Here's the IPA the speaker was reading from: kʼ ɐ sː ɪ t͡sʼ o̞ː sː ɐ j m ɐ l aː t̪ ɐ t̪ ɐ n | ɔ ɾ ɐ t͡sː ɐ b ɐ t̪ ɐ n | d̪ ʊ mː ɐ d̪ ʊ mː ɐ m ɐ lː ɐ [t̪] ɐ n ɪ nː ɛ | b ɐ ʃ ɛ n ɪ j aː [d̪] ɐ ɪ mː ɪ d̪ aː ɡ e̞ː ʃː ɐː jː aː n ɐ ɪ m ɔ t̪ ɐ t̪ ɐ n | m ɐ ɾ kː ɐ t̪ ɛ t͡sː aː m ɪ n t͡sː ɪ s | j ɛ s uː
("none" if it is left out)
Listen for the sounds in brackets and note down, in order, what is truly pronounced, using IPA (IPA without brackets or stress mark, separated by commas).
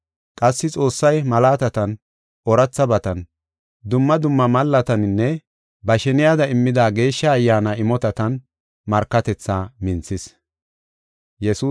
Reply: t̪, d̪